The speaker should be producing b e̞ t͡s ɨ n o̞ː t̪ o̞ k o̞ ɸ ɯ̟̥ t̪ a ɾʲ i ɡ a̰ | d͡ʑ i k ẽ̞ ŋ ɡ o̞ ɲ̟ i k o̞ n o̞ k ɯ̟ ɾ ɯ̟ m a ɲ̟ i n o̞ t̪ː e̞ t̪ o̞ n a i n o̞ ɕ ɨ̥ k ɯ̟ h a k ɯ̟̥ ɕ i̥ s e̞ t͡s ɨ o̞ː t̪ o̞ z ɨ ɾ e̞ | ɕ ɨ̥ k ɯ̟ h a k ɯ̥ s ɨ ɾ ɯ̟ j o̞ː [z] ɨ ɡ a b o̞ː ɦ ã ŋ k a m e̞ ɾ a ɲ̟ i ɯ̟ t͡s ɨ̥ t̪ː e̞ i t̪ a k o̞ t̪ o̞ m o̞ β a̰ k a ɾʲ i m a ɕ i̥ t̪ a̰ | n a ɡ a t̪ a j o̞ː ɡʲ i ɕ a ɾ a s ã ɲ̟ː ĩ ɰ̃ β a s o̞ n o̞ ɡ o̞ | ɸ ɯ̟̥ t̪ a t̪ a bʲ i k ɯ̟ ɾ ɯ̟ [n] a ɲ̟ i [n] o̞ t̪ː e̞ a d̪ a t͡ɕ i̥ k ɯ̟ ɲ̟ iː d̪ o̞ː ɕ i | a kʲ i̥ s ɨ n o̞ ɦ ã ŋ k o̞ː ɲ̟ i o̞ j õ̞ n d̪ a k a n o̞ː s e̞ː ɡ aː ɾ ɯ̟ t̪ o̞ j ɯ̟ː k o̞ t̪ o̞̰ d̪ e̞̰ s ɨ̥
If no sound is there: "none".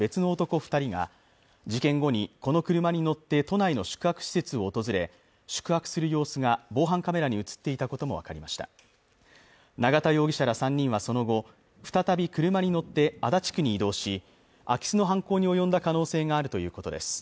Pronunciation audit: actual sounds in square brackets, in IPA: s, m, n

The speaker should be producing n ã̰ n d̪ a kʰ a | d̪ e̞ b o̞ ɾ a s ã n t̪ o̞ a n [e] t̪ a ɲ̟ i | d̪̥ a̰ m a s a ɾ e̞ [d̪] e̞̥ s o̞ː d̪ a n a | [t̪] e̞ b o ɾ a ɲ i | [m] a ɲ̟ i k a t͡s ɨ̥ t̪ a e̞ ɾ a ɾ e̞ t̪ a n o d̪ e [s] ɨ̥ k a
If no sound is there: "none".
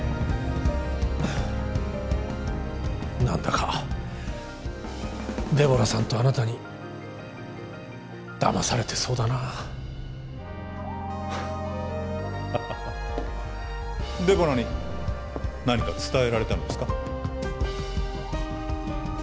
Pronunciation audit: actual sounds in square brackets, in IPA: a, t̪, d̪, n, s

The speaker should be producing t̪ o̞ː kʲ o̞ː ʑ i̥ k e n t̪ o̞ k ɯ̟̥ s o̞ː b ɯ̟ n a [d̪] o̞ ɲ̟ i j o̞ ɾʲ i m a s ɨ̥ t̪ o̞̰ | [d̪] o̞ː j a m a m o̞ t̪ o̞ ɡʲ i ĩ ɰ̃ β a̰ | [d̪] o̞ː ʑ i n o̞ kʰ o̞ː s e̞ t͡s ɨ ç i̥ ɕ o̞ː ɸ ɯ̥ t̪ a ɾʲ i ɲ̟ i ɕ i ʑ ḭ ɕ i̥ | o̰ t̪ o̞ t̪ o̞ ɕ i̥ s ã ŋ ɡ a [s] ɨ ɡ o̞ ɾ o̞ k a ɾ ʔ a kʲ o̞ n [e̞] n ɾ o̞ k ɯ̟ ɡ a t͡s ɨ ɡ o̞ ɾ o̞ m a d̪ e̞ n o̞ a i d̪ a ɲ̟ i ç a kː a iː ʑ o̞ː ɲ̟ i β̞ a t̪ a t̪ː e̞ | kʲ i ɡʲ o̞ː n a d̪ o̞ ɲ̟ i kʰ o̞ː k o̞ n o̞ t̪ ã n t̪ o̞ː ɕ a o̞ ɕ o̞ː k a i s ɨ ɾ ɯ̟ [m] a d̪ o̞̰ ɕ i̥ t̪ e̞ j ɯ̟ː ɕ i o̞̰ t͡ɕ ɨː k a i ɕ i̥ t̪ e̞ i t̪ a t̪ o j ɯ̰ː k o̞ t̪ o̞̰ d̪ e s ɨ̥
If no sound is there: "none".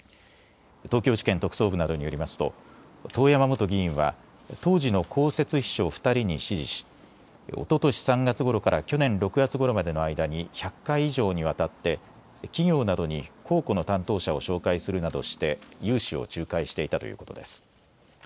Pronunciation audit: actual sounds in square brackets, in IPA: d̪, t̪, t̪, t͡s, ẽ̞, n

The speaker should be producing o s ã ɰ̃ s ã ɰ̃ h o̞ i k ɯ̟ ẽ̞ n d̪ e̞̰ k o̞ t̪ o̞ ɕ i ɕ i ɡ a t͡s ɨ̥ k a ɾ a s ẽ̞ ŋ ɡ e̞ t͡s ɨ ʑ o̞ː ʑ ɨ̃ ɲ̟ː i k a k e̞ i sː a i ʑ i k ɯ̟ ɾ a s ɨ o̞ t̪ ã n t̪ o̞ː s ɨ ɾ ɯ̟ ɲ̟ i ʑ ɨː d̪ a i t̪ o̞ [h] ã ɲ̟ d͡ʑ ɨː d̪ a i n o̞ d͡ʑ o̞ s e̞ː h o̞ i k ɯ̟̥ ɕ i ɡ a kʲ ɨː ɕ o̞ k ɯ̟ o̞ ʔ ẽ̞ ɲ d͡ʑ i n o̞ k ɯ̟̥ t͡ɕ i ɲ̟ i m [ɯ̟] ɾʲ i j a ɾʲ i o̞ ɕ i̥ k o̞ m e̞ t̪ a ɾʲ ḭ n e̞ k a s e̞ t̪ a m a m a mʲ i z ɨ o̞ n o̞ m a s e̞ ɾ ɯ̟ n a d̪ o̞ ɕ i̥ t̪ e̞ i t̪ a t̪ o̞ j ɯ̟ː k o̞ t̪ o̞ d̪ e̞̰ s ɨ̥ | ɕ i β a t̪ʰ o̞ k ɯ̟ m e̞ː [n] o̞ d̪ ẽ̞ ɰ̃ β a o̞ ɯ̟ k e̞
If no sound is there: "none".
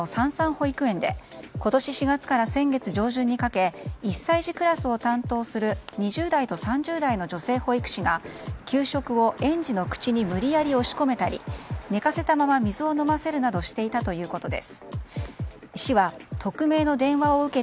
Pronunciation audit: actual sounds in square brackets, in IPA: s, ɯ̟, n

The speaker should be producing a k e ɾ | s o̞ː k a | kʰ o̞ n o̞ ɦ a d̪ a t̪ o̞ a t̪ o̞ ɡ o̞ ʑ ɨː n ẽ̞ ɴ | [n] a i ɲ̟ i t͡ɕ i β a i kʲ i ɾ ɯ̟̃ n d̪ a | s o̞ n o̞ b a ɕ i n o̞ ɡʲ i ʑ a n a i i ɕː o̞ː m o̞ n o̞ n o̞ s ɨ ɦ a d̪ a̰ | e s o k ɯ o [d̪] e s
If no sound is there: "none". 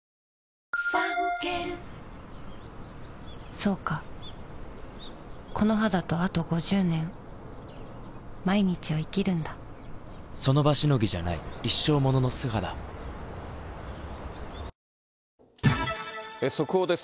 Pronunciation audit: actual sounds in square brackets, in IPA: m, d̪

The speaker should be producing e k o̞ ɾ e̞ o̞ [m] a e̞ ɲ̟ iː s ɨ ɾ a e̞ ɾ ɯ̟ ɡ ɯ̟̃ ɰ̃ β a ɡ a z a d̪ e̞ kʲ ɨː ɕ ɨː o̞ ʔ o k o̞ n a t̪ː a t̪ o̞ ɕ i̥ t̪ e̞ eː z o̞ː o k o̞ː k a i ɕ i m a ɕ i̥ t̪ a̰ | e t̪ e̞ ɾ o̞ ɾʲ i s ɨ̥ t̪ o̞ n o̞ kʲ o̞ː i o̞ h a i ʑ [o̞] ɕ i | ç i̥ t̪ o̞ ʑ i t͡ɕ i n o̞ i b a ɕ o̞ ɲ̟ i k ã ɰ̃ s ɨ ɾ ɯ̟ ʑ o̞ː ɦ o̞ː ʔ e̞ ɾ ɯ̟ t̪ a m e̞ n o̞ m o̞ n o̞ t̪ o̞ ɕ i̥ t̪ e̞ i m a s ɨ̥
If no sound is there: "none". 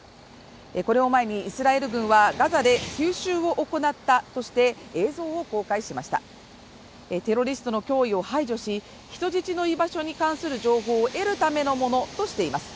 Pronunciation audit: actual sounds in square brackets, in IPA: m, o̞

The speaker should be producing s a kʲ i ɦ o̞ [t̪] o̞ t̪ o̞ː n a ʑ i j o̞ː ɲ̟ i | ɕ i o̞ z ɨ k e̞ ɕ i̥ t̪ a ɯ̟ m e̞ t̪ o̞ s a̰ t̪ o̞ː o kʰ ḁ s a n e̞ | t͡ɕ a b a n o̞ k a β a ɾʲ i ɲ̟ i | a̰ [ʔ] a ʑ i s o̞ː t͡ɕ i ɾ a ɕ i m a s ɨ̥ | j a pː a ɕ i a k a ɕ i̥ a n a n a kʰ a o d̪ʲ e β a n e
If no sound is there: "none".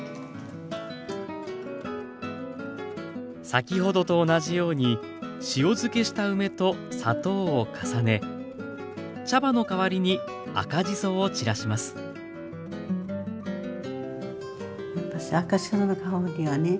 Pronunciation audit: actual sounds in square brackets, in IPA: d̪, k

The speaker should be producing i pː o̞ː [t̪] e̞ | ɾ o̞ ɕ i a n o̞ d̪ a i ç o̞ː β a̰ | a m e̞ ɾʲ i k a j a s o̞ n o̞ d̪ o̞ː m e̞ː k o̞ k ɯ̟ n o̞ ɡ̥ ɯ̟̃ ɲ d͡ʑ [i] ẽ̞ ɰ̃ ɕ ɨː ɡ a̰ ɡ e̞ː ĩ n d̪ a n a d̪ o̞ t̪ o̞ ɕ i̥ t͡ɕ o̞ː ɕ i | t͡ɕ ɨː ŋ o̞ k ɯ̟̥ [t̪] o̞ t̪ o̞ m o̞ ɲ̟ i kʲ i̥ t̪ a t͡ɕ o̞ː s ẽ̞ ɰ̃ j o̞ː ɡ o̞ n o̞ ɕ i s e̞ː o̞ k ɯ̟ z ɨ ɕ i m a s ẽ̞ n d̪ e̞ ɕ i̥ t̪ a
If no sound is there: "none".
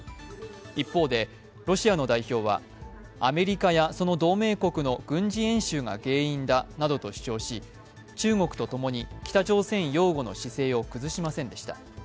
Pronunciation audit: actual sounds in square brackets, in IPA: d̪, i, t̪

